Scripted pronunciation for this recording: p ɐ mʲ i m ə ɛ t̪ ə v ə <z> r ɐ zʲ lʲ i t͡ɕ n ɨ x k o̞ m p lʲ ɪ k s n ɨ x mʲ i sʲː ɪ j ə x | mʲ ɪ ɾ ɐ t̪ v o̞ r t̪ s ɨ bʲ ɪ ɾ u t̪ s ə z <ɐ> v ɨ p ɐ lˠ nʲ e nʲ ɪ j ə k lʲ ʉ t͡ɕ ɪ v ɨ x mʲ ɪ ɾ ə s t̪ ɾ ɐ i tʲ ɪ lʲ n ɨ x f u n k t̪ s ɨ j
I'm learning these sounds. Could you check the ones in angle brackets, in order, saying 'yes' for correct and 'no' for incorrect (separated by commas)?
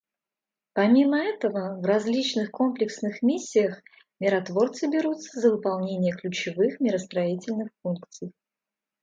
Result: no, no